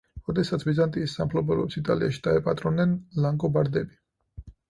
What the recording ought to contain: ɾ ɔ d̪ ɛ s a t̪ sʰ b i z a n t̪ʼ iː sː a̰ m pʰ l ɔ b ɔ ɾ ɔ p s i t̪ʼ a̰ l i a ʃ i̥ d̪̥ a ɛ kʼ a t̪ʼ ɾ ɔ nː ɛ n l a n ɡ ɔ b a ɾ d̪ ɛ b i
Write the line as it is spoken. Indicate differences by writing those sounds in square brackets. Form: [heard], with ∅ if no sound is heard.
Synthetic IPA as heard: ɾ ɔ d̪ ɛ s a t̪ sʰ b i z a n t̪ʼ iː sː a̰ m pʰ l ɔ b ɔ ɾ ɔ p s i t̪ʼ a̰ l i a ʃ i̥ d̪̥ a ɛ [pʼ] a t̪ʼ ɾ ɔ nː ɛ n l a [ŋ] ɡ ɔ b a ɾ d̪ ɛ b i

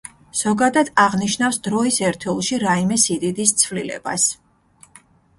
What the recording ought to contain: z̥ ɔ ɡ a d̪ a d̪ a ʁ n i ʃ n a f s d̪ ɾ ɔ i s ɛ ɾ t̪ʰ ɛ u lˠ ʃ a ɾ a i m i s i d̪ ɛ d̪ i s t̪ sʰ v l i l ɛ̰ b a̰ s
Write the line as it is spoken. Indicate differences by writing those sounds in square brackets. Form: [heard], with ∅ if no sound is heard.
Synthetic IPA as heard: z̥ ɔ ɡ a d̪ a d̪ a ʁ n i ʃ n a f s d̪ ɾ ɔ i s ɛ ɾ t̪ʰ ɛ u lˠ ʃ [i] ɾ a i m [ɛ] s i d̪ [i] d̪ i s t̪ sʰ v l i l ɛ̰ b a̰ s

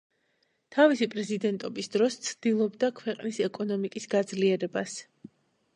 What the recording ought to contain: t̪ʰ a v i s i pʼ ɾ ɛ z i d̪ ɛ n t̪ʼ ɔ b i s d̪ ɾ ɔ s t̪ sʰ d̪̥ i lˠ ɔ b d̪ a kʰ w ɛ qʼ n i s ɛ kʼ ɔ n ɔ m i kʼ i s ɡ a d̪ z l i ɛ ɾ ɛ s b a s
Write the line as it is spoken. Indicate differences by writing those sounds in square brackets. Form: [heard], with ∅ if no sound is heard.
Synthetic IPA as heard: t̪ʰ a v i s i pʼ ɾ ɛ z i d̪ ɛ n t̪ʼ ɔ b i s d̪ ɾ ɔ s t̪ sʰ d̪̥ i lˠ ɔ b d̪ a kʰ w ɛ qʼ n i s ɛ kʼ ɔ n ɔ m i kʼ i s ɡ a d̪ z l i ɛ ɾ ɛ [∅] b a s

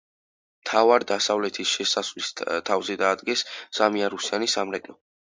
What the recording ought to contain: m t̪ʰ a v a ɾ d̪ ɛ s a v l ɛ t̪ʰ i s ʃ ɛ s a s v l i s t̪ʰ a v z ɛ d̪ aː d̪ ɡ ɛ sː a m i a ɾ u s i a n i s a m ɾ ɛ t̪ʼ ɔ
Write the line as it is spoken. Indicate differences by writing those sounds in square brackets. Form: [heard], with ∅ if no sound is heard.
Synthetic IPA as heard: m t̪ʰ a v a ɾ d̪ [a] s a v l ɛ t̪ʰ i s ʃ ɛ s a s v l i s t̪ʰ a v z ɛ d̪ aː d̪ ɡ ɛ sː a m i a ɾ u s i a n i s a m ɾ ɛ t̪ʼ ɔ

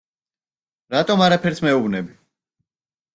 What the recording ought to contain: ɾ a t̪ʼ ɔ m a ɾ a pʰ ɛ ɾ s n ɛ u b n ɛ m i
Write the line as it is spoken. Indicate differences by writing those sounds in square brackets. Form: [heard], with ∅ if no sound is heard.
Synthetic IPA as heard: ɾ a t̪ʼ ɔ m a ɾ a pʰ ɛ ɾ s [m] ɛ u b n ɛ [b] i

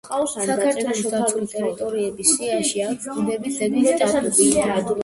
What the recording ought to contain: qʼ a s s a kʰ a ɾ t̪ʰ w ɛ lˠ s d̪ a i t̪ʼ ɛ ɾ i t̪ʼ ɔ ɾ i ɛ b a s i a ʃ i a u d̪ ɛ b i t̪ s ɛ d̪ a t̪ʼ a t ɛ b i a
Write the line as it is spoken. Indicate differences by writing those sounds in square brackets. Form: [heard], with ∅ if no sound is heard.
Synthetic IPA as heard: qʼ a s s a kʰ a ɾ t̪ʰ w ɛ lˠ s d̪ a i t̪ʼ ɛ ɾ i t̪ʼ ɔ ɾ i ɛ b [i] s i a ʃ i a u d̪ ɛ b i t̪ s ɛ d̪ [i] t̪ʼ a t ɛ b i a

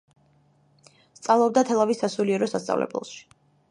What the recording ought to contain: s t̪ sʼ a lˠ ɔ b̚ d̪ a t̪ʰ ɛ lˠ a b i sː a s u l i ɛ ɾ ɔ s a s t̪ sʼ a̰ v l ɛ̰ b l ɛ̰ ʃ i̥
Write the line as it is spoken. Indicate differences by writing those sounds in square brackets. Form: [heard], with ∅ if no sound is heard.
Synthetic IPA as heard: s t̪ sʼ a lˠ ɔ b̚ d̪ a t̪ʰ ɛ lˠ a [v] i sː a s u l i ɛ ɾ ɔ s a s t̪ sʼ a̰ v l ɛ̰ b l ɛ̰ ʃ i̥

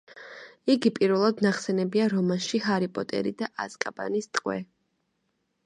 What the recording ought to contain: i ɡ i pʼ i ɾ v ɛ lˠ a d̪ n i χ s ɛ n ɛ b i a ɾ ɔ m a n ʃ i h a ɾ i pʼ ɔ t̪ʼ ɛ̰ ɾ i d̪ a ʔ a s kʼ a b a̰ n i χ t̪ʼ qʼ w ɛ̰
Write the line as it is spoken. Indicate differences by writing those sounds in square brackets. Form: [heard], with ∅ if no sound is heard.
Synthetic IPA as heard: i ɡ i pʼ i ɾ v ɛ lˠ a d̪ n [a] χ s ɛ n ɛ b i a ɾ ɔ m a n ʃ i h a ɾ i pʼ ɔ t̪ʼ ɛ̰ ɾ i d̪ a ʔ a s kʼ a b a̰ n i [s] t̪ʼ qʼ w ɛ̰

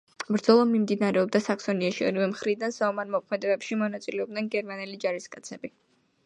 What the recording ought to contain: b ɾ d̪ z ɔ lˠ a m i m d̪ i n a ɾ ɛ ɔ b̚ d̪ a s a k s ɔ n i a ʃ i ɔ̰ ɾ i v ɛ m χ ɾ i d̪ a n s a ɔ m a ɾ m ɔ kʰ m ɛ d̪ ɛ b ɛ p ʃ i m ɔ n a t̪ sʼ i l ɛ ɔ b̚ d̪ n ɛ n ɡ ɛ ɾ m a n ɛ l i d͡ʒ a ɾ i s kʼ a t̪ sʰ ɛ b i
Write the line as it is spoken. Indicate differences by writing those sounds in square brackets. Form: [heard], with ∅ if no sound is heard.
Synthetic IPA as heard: b ɾ d̪ z ɔ lˠ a m i m d̪ i n a ɾ ɛ ɔ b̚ d̪ a s a k s ɔ n i a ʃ i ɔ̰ ɾ i v ɛ m χ ɾ i d̪ a n s a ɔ m a ɾ m ɔ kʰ m ɛ d̪ ɛ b ɛ p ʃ i m ɔ n a t̪ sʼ i l ɛ ɔ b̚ d̪ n ɛ n ɡ ɛ ɾ m a n ɛ l i d͡ʒ a ɾ i s kʼ a t̪ sʰ ɛ b i

